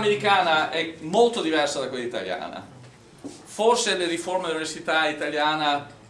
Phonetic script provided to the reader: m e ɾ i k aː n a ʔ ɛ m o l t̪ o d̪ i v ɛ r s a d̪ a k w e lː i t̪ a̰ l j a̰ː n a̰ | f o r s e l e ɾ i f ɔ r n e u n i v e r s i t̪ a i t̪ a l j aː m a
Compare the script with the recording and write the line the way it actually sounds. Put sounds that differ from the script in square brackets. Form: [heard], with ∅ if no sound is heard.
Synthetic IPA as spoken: m e ɾ i k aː n a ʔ ɛ m o l t̪ o d̪ i v ɛ r s a d̪ a k w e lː i t̪ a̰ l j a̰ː n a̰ | f o r s e l e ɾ i f [o] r [m] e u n i v e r s i t̪ a i t̪ a l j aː [n] a